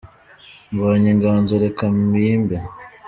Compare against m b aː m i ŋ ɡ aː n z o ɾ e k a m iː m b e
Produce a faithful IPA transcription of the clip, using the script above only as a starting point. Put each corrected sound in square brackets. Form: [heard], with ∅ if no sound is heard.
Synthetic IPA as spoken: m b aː [ɲ] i ŋ ɡ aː n z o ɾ e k a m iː m b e